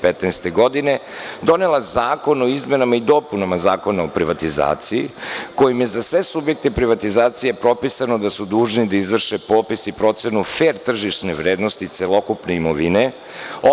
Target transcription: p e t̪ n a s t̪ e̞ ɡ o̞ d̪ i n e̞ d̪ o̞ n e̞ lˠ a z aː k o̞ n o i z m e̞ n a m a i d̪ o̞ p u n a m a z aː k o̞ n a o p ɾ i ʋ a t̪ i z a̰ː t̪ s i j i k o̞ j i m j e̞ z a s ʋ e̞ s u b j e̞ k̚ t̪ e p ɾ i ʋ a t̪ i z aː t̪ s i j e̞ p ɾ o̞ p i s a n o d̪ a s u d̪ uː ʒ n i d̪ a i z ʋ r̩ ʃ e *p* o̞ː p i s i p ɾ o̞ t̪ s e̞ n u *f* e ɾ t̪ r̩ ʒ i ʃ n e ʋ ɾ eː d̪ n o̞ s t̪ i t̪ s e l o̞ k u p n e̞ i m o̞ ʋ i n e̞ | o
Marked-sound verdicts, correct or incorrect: correct, correct

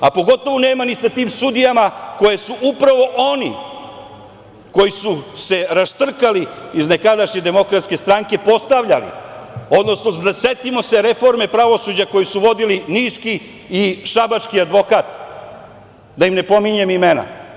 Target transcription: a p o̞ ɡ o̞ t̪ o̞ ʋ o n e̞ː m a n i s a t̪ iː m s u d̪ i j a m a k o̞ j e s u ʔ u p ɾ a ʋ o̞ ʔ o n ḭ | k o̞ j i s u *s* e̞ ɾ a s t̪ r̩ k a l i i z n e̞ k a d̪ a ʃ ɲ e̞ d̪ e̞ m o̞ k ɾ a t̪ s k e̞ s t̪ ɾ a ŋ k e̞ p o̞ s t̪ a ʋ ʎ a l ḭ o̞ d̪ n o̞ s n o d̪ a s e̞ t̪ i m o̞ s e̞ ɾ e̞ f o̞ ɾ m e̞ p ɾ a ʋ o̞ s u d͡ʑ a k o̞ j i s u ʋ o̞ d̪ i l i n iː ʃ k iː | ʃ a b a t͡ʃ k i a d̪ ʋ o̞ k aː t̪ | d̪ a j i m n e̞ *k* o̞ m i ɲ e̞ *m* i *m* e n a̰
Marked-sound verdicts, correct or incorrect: correct, incorrect: p, correct, correct

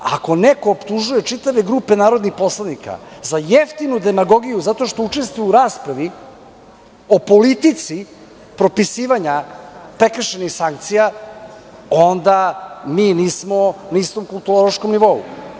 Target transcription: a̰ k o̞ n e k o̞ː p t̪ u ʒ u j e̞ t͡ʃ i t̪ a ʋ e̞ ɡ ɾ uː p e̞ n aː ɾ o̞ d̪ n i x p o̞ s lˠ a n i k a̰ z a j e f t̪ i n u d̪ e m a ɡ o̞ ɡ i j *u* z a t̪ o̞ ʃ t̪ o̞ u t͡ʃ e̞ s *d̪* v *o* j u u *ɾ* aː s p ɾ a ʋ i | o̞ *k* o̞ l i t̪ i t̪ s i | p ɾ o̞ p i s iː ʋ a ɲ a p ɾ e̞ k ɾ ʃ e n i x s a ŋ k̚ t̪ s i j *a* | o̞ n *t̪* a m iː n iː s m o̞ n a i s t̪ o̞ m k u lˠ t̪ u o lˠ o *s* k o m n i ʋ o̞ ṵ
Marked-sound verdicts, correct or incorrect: correct, incorrect: t̪, incorrect: u, correct, incorrect: p, correct, incorrect: d̪, incorrect: ʃ

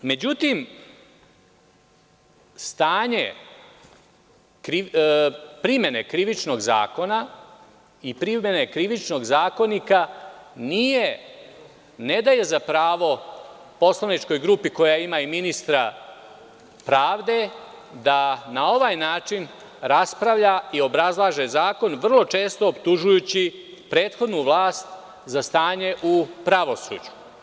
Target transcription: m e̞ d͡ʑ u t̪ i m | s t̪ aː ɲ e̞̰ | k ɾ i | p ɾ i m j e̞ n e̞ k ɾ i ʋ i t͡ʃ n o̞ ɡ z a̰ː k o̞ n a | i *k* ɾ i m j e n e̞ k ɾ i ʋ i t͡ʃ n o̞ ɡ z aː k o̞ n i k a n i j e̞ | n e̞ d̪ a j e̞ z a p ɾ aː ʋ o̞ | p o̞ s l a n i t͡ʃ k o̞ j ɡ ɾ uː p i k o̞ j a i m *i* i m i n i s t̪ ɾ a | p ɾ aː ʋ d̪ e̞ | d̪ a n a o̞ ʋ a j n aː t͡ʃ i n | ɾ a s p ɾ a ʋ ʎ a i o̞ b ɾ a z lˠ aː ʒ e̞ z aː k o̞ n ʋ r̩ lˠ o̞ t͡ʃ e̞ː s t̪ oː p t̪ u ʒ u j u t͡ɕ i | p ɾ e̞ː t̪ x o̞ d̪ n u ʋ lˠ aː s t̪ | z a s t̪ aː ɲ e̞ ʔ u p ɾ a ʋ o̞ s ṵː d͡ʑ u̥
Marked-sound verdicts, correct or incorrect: incorrect: p, incorrect: a

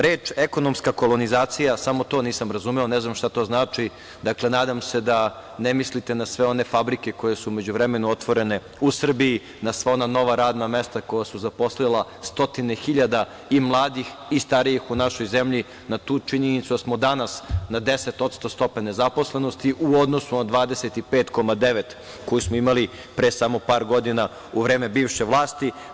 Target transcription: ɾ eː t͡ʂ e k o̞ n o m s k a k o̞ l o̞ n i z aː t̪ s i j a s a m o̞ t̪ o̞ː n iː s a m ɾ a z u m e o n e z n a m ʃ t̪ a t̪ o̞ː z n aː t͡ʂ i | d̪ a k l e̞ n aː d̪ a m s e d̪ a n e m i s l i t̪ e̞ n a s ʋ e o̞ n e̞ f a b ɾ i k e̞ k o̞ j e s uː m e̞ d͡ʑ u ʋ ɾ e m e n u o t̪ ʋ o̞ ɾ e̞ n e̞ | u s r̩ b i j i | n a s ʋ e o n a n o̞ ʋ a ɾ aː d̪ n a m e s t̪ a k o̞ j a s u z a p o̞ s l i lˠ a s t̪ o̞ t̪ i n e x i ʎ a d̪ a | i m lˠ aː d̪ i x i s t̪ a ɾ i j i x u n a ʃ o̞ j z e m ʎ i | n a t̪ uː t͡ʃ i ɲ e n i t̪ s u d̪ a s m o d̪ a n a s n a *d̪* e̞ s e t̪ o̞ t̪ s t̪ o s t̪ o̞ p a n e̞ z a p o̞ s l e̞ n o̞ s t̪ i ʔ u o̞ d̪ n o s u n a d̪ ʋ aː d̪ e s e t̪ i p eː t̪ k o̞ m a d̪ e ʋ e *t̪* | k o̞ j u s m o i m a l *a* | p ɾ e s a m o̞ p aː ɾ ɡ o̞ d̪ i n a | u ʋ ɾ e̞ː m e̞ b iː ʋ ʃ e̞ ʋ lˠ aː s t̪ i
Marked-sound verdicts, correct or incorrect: correct, correct, incorrect: i

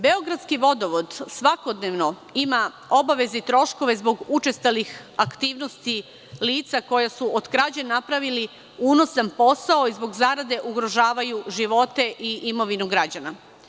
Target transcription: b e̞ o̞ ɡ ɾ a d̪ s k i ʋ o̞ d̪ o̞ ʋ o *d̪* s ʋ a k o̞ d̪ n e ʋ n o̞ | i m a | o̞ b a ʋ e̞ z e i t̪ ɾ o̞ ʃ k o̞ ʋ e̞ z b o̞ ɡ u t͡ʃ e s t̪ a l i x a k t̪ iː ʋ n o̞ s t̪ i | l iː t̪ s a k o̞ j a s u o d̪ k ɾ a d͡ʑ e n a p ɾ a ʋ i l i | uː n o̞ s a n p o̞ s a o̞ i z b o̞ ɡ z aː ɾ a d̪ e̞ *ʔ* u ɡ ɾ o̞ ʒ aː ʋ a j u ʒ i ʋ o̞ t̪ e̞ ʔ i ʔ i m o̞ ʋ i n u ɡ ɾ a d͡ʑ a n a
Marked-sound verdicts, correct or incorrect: correct, correct

